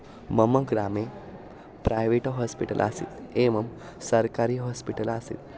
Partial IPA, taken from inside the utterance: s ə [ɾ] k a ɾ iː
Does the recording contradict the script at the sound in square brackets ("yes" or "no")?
no